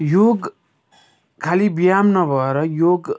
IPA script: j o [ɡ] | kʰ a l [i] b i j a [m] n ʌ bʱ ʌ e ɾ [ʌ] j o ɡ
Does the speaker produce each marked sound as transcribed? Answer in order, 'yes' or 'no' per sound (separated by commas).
yes, yes, yes, yes